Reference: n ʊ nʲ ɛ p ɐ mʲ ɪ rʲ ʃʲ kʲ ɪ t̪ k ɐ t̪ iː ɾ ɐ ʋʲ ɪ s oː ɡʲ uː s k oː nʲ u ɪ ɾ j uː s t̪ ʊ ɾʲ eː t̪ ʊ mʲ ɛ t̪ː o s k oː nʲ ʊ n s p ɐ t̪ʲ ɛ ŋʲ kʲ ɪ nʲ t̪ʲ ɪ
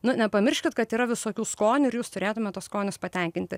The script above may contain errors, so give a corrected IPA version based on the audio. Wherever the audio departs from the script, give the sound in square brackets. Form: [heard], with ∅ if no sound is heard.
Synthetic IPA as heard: n ʊ nʲ ɛ p ɐ mʲ ɪ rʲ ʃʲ kʲ ɪ t̪ k ɐ t̪ iː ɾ ɐ ʋʲ ɪ s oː [kʲ] uː s k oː nʲ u ɪ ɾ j uː s t̪ ʊ ɾʲ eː t̪ ʊ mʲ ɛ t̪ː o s k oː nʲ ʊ [∅] s p ɐ t̪ʲ ɛ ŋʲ kʲ ɪ nʲ t̪ʲ ɪ